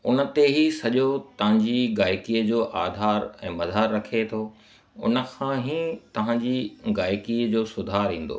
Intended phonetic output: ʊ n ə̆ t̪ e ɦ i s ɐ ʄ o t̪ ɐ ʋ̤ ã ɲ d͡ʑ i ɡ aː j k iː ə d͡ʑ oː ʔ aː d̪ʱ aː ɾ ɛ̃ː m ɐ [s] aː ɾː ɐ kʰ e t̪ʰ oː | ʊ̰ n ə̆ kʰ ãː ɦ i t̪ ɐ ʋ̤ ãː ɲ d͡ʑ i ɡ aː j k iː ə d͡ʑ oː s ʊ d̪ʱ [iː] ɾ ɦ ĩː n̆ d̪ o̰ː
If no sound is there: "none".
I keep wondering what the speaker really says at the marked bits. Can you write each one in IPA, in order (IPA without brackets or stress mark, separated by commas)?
z, aː